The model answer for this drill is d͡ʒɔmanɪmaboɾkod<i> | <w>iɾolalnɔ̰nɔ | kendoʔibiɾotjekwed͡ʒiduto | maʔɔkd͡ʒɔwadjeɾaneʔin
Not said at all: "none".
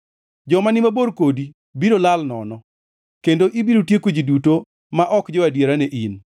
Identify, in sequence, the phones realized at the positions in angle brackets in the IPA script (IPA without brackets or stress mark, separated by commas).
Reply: i, b